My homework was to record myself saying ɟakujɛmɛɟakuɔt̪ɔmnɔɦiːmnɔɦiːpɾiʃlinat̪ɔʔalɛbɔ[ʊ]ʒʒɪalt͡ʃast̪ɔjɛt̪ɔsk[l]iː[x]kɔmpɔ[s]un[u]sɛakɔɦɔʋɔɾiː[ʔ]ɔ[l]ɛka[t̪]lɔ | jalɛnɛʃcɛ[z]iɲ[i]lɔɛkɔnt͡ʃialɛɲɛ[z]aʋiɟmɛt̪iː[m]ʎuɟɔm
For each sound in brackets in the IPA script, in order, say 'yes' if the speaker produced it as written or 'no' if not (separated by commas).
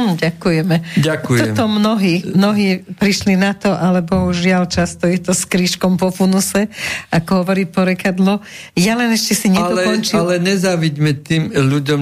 no, no, no, no, yes, no, no, no, no, no, yes, yes